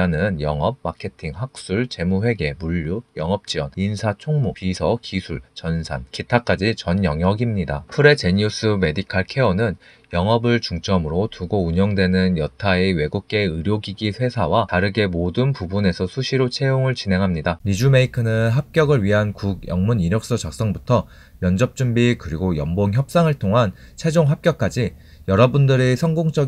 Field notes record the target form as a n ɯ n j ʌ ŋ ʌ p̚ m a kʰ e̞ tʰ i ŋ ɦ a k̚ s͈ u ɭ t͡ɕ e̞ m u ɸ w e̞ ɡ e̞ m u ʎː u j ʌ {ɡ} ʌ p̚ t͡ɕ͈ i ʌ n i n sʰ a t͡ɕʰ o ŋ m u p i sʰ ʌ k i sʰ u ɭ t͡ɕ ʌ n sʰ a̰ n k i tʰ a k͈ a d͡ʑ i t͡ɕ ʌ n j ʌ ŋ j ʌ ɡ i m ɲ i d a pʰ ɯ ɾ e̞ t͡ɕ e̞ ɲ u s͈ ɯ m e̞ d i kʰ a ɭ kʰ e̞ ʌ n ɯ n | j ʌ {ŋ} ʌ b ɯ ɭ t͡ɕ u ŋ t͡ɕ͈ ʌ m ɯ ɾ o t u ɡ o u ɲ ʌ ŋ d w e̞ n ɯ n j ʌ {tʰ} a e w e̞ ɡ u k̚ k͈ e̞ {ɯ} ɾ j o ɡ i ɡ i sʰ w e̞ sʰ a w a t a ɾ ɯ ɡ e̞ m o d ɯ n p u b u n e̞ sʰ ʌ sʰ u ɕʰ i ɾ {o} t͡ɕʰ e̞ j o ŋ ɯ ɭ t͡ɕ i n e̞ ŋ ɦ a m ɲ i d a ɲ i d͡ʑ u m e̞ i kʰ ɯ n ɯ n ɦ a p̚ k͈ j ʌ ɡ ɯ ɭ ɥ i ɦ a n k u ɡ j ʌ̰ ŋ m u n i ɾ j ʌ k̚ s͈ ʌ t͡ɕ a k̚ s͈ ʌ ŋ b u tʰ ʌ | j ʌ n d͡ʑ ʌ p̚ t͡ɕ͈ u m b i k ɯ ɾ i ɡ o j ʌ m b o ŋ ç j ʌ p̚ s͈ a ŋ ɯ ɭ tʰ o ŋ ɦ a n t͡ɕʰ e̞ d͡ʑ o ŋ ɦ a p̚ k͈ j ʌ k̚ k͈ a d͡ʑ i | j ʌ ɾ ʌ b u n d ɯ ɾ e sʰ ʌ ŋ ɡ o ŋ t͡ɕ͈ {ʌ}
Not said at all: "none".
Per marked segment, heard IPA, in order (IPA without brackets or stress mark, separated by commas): ŋ, ŋ, tʰ, ɯ, o, ʌ